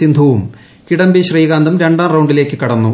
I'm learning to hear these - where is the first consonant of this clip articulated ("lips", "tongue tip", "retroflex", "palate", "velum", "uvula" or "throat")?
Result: tongue tip